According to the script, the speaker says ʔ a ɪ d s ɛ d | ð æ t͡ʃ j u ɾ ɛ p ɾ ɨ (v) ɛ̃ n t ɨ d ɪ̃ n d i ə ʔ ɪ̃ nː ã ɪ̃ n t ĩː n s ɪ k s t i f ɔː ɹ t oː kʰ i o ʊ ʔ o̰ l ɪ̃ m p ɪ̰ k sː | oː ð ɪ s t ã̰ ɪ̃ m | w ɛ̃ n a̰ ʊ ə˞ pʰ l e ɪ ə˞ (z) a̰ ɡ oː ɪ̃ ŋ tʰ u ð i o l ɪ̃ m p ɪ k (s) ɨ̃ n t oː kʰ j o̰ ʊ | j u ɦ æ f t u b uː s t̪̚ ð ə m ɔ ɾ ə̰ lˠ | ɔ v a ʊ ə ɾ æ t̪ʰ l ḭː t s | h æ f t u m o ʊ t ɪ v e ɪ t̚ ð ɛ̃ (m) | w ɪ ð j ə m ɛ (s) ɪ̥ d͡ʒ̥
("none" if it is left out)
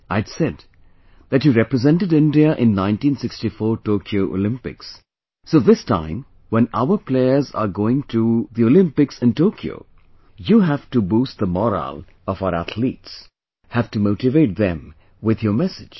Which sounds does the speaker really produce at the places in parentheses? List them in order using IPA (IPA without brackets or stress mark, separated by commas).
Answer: z, z, s, m, s